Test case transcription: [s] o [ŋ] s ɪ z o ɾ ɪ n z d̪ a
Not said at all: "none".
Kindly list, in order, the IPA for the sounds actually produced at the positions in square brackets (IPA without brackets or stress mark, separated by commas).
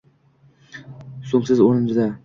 s, m